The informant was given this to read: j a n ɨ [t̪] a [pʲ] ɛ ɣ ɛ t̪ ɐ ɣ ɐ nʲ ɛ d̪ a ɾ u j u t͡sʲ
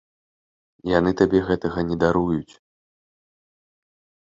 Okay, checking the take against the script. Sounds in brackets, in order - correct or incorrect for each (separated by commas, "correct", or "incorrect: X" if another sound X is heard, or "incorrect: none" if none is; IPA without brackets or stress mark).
correct, incorrect: bʲ